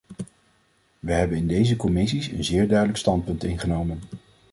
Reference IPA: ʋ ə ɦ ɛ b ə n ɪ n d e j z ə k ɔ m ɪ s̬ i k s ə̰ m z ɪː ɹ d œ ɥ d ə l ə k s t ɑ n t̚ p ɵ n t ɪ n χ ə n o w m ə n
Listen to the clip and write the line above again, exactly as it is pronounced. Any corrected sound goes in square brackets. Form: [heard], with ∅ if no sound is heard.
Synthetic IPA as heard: ʋ ə ɦ ɛ b ə n ɪ n d e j z ə k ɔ m ɪ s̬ i [∅] s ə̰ [n] z ɪː ɹ d œ ɥ d ə l ə k s t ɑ n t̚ p ɵ n t ɪ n χ ə n o w m ə n